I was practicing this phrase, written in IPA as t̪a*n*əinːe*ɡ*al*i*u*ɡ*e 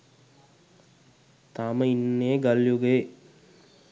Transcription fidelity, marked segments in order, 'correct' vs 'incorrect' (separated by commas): incorrect, correct, incorrect, correct